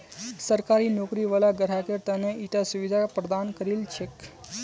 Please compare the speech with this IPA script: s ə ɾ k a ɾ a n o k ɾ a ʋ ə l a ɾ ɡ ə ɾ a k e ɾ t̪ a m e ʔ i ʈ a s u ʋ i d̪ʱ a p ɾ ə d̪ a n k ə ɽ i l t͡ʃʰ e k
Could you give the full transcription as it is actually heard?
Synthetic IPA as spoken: s ə ɾ k a ɾ i n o k ɾ i ʋ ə l a ɡ ə ɾ a k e ɾ t̪ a n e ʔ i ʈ a s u ʋ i d̪ʱ a p ɾ ə d̪ a n k ə ɾ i l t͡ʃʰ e k